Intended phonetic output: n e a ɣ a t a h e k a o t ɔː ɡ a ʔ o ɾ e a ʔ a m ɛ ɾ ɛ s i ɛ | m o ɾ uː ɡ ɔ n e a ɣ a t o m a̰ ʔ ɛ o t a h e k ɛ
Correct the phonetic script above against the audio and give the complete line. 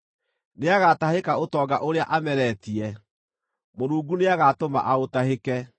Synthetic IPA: n e a ɣ a t a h e k a o t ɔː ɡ a ʔ o ɾ e a ʔ a m ɛ ɾ ɛ t i ɛ | m o ɾ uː ɡ u n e a ɣ a t o m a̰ ʔ a o t a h e k ɛ